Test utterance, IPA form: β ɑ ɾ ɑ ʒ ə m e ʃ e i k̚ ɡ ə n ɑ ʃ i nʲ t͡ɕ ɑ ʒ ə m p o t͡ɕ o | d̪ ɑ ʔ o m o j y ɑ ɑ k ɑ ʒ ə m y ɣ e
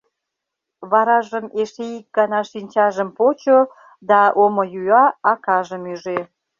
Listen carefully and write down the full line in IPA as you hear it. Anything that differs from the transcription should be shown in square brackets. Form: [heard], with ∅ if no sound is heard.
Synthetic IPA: β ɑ ɾ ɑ ʒ ə m e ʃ e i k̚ ɡ [ɑ] n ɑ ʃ i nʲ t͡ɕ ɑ ʒ ə m p o t͡ɕ o | d̪ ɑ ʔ o m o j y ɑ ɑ k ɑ ʒ ə m y [ʒ] e